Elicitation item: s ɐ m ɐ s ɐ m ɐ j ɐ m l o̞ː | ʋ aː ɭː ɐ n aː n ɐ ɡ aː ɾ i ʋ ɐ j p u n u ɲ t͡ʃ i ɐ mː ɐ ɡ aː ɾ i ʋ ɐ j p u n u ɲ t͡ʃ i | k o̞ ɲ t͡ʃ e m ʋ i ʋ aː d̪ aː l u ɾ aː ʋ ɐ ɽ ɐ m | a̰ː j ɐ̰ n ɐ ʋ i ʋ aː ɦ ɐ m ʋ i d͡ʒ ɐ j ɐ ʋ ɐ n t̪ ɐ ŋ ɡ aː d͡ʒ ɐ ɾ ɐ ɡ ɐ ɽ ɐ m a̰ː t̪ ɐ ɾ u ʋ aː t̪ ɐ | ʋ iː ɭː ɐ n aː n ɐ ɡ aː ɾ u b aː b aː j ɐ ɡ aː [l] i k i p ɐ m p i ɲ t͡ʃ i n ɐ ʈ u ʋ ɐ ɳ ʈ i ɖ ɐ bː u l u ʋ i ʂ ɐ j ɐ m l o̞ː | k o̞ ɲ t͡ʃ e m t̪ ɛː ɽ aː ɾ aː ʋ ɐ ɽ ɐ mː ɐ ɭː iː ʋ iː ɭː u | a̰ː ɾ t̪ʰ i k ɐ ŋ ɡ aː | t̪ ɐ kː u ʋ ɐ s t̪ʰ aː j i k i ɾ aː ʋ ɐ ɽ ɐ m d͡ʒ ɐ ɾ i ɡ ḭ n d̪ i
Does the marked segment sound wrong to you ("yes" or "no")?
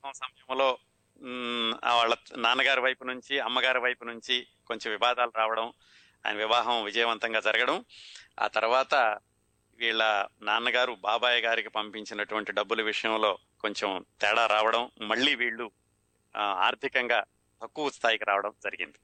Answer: yes